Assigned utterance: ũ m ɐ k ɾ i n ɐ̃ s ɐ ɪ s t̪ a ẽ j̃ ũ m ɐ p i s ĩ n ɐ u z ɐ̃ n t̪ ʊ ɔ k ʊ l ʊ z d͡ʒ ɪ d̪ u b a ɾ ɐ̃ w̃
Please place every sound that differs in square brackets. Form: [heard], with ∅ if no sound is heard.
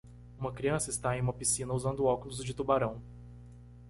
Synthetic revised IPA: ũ m ɐ k ɾ i [∅] ɐ̃ s ɐ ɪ s t̪ a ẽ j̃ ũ m ɐ p i s ĩ n ɐ u z ɐ̃ n [d̪] ʊ ɔ k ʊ l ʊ z d͡ʒ ɪ [t̪] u b a ɾ ɐ̃ w̃